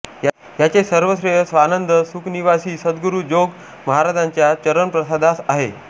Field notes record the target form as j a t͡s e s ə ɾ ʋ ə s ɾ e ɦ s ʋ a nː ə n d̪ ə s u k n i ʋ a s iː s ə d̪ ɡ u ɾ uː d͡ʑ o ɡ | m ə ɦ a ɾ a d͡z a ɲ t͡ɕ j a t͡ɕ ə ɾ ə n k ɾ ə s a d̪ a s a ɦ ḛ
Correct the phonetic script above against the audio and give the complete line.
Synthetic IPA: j a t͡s e s ə ɾ ʋ ə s ɾ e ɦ s ʋ a n ə n d̪ ə s u k n i ʋ a s iː s ə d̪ ɡ u ɾ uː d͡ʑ o ɡ | m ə ɦ a ɾ a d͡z a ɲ t͡ɕ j a t͡ɕ ə ɾ ə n p ɾ ə s a d̪ a s a ɦ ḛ

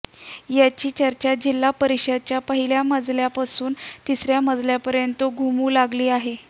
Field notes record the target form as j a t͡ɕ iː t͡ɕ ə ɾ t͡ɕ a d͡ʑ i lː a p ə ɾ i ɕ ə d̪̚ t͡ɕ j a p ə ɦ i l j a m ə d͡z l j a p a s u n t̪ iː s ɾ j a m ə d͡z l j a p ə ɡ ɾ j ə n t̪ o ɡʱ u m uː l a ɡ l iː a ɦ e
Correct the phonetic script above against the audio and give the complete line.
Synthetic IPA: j a t͡ɕ iː t͡ɕ ə ɾ t͡ɕ a d͡ʑ i lː a p ə ɾ i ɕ ə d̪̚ t͡ɕ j a p ə ɦ i l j a m ə d͡z l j a p a s uː n t̪ i s ɾ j a m ə d͡z l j a p ə ɾ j ə n t̪ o ɡʱ u m uː l a ɡ l iː a ɦ e

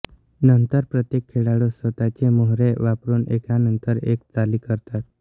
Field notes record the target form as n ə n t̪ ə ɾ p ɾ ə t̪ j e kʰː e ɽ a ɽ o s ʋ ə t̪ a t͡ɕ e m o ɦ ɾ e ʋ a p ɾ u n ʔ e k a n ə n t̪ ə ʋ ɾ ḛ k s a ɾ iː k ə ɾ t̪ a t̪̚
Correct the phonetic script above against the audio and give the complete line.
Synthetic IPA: n ə n t̪ ə ɾ p ɾ ə t̪ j e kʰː e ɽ a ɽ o s ʋ ə t̪ a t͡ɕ e m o ɦ ɾ e ʋ a p ɾ uː n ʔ e k a n ə n t̪ ə ɾ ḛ k t͡s a l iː k ə ɾ t̪ a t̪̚

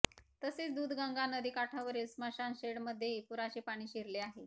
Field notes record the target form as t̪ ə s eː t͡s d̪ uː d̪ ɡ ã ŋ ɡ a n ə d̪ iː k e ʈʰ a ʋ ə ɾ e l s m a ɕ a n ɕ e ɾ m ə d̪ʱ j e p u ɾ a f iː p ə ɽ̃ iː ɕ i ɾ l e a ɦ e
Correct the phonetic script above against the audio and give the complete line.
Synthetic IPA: t̪ ə s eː t͡s d̪ uː d̪ ɡ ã ŋ ɡ a n ə d̪ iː k a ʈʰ a ʋ ə ɾ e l s m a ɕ a n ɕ e ɽ m ə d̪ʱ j e p u ɾ a ɕ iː p a ɽ̃ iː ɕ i ɾ l e a ɦ e

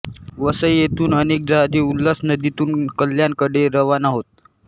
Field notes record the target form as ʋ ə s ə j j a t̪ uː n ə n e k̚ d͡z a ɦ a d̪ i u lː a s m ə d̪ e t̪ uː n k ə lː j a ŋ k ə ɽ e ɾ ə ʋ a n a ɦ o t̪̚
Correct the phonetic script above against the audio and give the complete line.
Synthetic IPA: ʋ ə s ə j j e t̪ uː n ə n e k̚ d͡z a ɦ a d̪ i u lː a s n ə d̪ i t̪ uː n k ə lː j a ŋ k ə ɽ e ɾ ə ʋ a n a ɦ o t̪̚

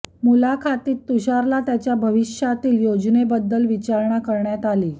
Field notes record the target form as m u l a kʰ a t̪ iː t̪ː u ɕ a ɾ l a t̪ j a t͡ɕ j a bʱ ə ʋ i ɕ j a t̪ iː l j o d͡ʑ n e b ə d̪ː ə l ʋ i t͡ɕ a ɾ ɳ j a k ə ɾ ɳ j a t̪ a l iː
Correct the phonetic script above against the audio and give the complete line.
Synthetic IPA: m u l a kʰ a t̪ iː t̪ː u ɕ a ɾ l a t̪ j a t͡ɕ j a bʱ ə ʋ i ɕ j a t̪ iː l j o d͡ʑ n e b ə d̪ː ə l ʋ i t͡ɕ a ɾ ɳ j a k ə ɾ ɳ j a t̪ a l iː

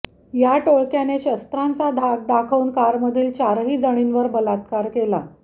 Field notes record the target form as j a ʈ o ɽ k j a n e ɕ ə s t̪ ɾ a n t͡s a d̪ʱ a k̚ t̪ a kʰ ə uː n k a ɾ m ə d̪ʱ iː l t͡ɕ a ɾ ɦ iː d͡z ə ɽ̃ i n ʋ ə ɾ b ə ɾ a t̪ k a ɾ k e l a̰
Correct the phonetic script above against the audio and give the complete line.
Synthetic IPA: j a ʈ o ɭ k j a n e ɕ ə s t̪ ɾ a n t͡s a d̪ʱ a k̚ d̪ a kʰ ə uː n k a ɾ m ə d̪ʱ iː l t͡ɕ a ɾ ɦ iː d͡z ə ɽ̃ i n ʋ ə ɾ b ə l a t̪ k a ɾ k e l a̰

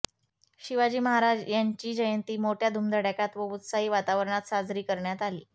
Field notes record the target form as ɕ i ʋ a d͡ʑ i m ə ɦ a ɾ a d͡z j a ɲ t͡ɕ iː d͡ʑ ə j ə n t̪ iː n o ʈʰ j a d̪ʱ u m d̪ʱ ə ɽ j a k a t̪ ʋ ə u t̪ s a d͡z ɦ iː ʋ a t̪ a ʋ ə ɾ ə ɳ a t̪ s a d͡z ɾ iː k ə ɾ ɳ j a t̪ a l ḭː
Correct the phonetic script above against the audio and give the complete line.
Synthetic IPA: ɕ i ʋ a d͡ʑ iː m ə ɦ a ɾ a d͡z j a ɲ t͡ɕ iː d͡ʑ ə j ə n t̪ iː m o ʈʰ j a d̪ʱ u m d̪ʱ ə ɽ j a k a t̪ ʋ ə u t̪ s a ɦ iː ʋ a t̪ a ʋ ə ɾ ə ɳ a t̪ s a d͡z ɾ iː k ə ɾ ɳ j a t̪ a l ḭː

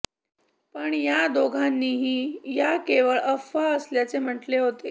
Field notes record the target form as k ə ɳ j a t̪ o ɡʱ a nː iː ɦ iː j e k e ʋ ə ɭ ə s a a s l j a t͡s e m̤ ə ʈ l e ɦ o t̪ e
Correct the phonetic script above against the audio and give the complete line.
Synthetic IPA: p ə ɳ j a d̪ o ɡʱ a nː iː ɦ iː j a k e ʋ ə ɭ ə f a ə s l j a t͡s e m̤ ə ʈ l e ɦ o t̪ e

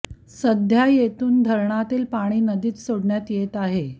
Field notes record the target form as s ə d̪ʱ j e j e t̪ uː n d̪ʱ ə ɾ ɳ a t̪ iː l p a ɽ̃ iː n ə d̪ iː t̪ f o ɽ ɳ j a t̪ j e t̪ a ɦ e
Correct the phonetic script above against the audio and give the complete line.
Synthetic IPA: s ə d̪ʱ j a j e t̪ uː n d̪ʱ ə ɾ ɳ a t̪ iː l p a ɽ̃ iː n ə d̪ iː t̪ s o ɽ ɳ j a t̪ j e t̪ a ɦ e

